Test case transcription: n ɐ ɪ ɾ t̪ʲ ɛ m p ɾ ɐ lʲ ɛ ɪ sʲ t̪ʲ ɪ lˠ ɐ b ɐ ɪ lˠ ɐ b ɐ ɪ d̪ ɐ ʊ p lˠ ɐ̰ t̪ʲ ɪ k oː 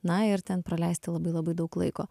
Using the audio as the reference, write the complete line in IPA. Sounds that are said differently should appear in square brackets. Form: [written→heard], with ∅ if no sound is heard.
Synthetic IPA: n ɐ ɪ ɾ t̪ʲ ɛ [m→n] p ɾ ɐ lʲ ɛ ɪ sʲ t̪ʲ ɪ lˠ ɐ b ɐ ɪ lˠ ɐ b ɐ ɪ d̪ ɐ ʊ [p→k] lˠ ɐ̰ [t̪ʲ→∅] ɪ k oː